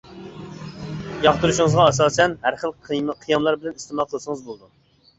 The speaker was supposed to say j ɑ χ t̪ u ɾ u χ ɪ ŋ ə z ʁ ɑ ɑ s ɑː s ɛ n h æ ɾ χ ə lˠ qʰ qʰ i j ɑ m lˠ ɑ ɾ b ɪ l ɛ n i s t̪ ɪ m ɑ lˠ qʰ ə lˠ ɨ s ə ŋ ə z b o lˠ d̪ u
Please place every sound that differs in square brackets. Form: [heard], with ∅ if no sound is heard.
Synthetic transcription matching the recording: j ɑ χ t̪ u ɾ u [ʃ] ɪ ŋ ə z ʁ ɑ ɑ s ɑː s ɛ n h æ ɾ χ ə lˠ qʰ qʰ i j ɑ m lˠ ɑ ɾ b ɪ l ɛ n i s t̪ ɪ m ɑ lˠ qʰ ə lˠ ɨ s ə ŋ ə z b o lˠ d̪ u